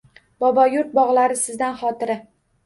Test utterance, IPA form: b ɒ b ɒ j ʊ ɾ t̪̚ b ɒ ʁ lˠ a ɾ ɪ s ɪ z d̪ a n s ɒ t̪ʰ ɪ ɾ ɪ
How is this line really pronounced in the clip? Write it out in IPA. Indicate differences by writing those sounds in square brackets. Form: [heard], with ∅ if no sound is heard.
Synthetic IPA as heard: b ɒ b ɒ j ʊ ɾ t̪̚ b ɒ ʁ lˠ a ɾ ɪ s ɪ z d̪ a n [χ] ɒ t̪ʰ ɪ ɾ ɪ